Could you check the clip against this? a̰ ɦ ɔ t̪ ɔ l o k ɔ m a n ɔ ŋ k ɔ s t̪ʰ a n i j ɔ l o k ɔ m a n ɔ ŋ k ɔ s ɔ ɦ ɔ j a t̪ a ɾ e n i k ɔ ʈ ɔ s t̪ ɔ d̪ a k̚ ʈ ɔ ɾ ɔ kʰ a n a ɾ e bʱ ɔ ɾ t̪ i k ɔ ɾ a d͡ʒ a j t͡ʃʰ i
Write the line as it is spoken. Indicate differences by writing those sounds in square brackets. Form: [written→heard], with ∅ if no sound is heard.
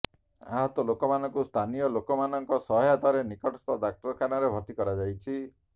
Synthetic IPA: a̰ ɦ ɔ t̪ ɔ l o k ɔ m a n ɔ ŋ k [ɔ→u] s t̪ʰ a n i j ɔ l o k ɔ m a n ɔ ŋ k ɔ s ɔ ɦ ɔ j a t̪ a ɾ e n i k ɔ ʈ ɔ s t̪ ɔ d̪ a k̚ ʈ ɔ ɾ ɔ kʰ a n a ɾ e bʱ ɔ ɾ t̪ i k ɔ ɾ a d͡ʒ a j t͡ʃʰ i